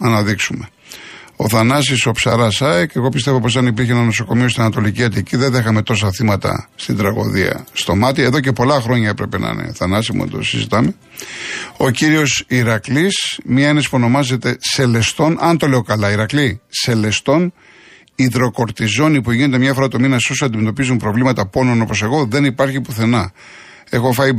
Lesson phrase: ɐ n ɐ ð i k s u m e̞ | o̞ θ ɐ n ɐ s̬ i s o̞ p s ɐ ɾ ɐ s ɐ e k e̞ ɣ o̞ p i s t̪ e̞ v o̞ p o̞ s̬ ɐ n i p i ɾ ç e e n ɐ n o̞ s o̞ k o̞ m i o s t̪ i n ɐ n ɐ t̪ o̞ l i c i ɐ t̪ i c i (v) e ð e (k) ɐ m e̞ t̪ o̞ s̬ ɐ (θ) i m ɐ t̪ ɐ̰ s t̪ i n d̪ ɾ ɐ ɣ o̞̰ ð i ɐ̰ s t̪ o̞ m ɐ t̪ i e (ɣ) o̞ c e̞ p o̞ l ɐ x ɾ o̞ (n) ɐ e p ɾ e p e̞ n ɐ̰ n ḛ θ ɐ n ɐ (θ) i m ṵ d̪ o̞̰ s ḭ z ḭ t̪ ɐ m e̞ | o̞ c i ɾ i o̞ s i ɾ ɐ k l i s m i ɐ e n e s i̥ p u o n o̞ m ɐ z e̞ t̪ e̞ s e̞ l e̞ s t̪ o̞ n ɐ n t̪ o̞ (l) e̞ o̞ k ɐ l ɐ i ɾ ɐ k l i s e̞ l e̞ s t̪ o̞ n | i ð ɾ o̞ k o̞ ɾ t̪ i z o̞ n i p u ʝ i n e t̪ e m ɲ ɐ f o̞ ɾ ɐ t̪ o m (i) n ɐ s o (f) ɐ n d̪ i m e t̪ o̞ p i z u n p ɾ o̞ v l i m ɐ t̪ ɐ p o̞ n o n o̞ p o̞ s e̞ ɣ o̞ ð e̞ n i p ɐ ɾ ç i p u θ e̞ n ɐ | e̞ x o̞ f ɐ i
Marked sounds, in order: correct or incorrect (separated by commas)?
incorrect, incorrect, correct, incorrect, incorrect, incorrect, correct, correct, incorrect